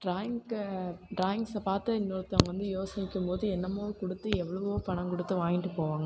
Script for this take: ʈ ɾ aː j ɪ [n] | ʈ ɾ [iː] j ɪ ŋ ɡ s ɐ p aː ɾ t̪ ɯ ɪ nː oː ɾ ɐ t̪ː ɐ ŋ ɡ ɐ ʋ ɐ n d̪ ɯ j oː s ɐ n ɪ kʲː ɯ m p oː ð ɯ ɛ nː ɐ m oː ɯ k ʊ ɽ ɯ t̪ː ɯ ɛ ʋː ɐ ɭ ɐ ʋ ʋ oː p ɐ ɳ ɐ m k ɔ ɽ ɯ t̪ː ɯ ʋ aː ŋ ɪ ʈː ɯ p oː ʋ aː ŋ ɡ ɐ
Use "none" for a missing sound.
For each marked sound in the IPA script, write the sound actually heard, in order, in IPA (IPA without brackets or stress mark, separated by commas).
ŋ, aː